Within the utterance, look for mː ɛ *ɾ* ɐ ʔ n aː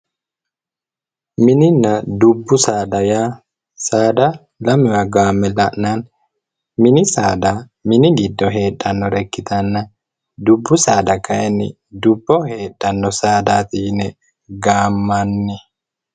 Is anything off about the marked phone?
yes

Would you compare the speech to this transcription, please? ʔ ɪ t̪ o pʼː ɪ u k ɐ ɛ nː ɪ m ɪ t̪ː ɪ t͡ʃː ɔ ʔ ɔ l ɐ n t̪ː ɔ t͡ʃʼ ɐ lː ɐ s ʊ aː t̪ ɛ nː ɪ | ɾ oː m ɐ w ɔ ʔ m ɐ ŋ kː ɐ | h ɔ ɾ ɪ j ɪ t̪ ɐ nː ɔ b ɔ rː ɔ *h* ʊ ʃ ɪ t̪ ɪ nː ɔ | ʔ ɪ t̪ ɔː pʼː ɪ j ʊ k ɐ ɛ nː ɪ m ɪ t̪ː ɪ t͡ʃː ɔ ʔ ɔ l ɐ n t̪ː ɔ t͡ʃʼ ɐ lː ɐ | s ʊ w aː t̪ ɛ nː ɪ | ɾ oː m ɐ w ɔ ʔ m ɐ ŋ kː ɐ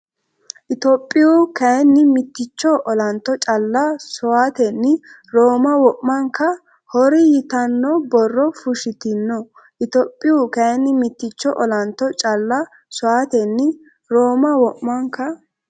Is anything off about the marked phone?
yes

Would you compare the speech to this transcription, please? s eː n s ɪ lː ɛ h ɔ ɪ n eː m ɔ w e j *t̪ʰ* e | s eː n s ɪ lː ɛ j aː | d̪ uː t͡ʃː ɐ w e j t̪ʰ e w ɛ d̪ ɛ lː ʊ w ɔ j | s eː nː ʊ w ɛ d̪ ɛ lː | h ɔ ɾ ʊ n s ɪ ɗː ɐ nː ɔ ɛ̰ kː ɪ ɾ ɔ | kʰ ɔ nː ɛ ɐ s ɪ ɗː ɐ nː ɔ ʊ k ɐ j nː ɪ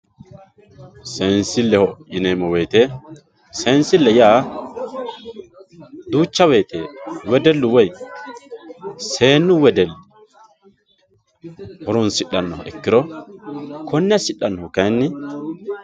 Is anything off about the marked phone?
yes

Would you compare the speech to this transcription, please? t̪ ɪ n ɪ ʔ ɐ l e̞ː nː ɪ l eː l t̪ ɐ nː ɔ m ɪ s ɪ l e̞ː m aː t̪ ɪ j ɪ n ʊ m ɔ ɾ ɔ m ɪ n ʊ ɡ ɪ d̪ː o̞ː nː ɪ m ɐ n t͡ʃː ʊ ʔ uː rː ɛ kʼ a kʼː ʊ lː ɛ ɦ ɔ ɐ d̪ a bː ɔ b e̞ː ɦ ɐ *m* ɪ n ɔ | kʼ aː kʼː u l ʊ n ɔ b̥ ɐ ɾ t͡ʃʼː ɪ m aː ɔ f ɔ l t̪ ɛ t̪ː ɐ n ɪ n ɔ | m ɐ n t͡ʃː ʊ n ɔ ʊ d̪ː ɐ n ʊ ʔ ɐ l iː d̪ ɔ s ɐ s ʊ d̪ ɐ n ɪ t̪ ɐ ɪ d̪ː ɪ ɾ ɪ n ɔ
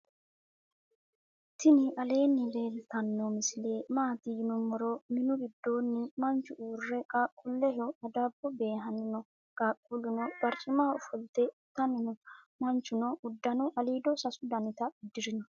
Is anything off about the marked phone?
yes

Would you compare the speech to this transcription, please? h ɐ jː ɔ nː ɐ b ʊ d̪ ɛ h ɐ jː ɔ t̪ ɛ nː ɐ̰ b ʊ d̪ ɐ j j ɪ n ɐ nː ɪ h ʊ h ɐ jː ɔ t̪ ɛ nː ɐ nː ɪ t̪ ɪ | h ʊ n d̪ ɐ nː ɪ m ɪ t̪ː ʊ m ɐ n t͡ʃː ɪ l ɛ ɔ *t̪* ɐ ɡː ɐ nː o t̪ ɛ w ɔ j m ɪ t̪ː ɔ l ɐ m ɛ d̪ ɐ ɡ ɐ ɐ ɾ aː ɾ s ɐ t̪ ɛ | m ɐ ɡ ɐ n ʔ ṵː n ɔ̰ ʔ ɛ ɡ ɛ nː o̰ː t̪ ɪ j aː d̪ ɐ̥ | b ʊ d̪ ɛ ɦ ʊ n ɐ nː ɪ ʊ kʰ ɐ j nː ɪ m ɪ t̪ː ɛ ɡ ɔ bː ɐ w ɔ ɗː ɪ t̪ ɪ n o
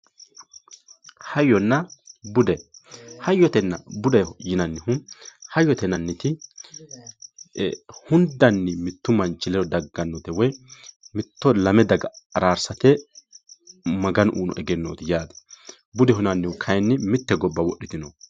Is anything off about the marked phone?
yes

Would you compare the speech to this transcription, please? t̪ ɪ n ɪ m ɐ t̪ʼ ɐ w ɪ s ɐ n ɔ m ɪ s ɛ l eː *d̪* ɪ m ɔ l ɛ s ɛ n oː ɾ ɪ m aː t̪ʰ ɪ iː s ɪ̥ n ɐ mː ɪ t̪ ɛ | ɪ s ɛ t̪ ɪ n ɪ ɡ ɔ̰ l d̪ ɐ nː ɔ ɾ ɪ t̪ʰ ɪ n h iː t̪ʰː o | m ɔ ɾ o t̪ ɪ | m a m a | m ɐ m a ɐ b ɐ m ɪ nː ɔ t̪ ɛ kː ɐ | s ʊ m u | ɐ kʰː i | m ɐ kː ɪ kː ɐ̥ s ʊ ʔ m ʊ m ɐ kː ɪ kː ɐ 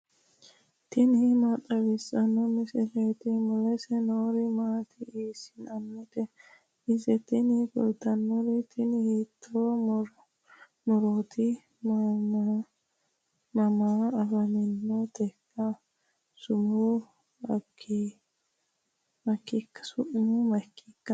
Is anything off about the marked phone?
yes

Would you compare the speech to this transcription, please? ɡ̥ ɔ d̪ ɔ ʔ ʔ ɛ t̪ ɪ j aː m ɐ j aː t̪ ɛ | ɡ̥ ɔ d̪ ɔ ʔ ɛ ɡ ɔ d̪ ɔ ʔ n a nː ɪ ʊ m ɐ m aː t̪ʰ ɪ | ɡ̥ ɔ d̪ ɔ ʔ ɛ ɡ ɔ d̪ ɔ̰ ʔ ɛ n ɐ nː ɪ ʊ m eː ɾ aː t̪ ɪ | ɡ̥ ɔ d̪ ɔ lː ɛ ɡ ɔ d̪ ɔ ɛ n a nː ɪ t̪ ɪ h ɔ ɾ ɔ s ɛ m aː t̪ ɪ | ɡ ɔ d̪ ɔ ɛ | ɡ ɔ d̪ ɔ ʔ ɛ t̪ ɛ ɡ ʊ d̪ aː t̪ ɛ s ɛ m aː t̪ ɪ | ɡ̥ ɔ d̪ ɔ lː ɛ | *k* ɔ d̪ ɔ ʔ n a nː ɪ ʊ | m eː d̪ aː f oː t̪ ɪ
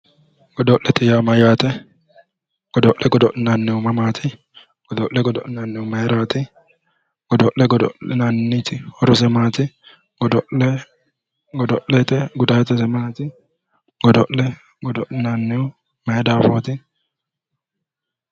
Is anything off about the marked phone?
yes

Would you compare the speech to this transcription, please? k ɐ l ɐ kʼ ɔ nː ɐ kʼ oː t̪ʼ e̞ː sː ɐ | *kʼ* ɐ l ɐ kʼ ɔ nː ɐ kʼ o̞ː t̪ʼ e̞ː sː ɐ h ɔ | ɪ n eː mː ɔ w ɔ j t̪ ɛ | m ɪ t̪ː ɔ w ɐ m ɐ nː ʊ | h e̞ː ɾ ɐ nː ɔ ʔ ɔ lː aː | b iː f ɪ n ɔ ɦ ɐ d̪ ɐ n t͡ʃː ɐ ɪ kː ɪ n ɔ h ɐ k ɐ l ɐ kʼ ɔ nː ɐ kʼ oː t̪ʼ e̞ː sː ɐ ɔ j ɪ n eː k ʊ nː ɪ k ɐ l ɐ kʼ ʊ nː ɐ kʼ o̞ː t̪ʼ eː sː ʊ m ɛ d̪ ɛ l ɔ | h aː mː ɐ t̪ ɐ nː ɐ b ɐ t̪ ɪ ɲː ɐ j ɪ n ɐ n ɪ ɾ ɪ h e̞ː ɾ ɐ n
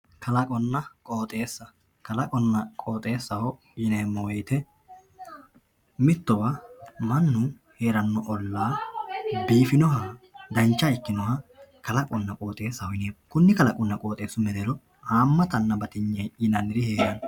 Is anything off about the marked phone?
yes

